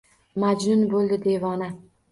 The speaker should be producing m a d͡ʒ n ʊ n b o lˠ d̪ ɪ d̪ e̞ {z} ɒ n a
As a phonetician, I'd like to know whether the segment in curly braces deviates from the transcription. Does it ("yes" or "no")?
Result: yes